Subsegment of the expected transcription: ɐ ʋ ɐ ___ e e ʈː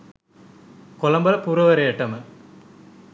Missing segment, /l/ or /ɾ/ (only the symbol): ɾ